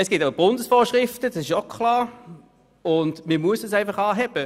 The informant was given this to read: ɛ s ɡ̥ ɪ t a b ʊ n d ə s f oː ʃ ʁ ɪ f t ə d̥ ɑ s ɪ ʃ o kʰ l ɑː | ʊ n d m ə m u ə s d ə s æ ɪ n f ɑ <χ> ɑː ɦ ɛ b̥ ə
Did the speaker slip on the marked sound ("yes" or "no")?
no